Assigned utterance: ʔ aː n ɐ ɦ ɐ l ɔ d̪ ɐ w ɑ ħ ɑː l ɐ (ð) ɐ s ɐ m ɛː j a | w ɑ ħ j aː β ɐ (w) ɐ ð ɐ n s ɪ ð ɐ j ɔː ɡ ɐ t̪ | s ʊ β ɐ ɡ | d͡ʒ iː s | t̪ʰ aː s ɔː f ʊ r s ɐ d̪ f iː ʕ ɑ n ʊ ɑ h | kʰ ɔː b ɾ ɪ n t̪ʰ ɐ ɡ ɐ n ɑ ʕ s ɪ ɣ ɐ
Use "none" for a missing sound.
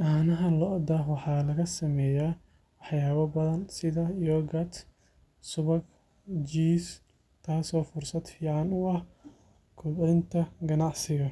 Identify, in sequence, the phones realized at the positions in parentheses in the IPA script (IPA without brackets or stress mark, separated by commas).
ɣ, b